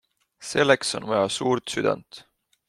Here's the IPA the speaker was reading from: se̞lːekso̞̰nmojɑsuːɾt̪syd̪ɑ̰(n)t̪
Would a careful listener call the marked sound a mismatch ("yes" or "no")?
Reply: no